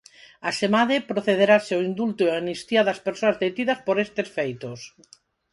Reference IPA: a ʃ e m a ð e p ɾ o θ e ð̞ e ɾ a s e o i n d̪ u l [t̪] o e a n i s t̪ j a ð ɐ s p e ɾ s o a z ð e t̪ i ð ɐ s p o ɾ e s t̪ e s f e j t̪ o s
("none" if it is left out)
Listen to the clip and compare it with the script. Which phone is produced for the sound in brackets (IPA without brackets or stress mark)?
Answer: t̪